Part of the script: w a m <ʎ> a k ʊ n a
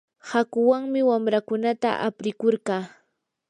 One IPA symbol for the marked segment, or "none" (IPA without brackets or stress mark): ɾ